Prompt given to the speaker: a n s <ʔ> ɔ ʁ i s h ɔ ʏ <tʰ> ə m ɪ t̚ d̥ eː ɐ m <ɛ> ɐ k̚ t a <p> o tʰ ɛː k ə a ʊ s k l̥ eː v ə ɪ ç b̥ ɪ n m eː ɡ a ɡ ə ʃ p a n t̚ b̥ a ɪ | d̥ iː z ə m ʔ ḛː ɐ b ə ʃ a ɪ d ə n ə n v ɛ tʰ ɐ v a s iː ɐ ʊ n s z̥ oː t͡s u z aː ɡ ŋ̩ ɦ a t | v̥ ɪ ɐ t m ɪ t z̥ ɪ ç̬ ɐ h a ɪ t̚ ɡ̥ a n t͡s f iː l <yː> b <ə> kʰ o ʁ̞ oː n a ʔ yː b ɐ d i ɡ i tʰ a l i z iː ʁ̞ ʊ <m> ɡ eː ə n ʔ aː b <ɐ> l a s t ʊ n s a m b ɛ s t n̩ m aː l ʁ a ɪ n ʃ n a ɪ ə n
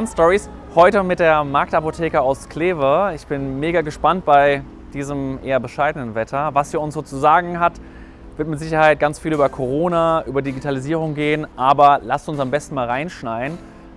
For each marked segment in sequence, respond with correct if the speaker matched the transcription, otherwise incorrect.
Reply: incorrect: t, incorrect: t, incorrect: a, correct, correct, incorrect: ɐ, incorrect: ŋ, correct

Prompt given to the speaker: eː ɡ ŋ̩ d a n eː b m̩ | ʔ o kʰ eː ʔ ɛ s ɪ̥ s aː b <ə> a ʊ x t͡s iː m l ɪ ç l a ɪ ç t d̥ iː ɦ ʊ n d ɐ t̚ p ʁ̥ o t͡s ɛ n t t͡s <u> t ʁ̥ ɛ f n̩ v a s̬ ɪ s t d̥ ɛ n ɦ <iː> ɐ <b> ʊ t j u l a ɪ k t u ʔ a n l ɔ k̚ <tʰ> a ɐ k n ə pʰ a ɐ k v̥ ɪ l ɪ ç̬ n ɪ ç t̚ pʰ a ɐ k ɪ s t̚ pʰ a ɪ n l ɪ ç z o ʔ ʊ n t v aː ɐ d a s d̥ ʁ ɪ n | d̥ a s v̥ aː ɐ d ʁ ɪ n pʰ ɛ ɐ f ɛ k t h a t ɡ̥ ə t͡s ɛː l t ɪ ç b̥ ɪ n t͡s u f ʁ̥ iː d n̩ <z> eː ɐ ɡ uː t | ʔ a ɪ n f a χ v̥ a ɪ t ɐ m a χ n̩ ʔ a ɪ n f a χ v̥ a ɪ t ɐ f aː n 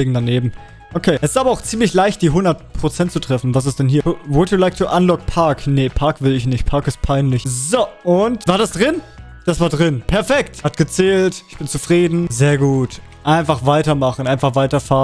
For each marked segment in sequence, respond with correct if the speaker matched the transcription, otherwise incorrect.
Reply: incorrect: ɐ, correct, correct, incorrect: v, incorrect: pʰ, correct

